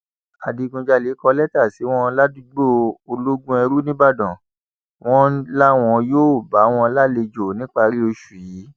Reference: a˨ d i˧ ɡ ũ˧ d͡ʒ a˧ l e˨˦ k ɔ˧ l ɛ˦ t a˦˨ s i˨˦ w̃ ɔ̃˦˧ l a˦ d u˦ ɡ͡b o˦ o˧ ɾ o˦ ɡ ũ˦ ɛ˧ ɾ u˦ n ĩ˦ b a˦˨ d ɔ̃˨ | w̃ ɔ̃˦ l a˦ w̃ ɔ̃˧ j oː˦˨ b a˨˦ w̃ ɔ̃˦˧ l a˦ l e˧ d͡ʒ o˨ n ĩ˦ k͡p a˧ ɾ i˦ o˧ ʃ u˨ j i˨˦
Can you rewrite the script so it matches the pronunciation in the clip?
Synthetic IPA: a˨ d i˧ ɡ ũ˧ d͡ʒ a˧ l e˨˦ k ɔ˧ l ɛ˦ t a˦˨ s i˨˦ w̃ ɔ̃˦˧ l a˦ d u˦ ɡ͡b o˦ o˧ l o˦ ɡ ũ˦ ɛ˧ ɾ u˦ n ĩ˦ b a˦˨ d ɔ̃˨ | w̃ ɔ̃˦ l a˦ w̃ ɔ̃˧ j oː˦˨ b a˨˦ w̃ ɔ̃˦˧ l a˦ l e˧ d͡ʒ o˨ n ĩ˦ k͡p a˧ ɾ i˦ o˧ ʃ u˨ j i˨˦